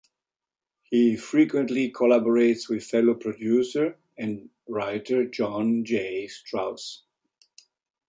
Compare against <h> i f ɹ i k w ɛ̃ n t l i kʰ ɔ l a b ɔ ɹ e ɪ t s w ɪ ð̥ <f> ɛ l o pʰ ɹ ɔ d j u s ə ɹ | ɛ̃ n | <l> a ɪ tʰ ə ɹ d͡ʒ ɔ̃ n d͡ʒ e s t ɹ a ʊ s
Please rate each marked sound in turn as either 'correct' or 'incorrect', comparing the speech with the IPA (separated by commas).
correct, correct, incorrect